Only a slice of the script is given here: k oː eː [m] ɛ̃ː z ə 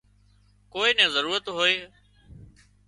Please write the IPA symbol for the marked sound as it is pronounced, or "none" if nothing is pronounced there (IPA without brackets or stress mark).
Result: n